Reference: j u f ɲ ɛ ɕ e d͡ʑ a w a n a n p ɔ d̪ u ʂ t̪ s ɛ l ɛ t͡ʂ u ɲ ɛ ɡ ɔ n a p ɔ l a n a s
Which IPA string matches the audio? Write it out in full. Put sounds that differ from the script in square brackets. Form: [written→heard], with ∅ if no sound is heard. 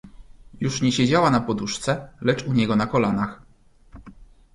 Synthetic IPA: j u [f→ʂ] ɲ ɛ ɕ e d͡ʑ a w a n a [n→∅] p ɔ d̪ u ʂ t̪ s ɛ l ɛ t͡ʂ u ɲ ɛ ɡ ɔ n a [p→k] ɔ l a n a [s→x]